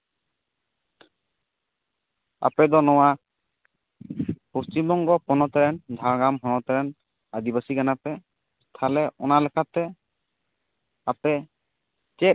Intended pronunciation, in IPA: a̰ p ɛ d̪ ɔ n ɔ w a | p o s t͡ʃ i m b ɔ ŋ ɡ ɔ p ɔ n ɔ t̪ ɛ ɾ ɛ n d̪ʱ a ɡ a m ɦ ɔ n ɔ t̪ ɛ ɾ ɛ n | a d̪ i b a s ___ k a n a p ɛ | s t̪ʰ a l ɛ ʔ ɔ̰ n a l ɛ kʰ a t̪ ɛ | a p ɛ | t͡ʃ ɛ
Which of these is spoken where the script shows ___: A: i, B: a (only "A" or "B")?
A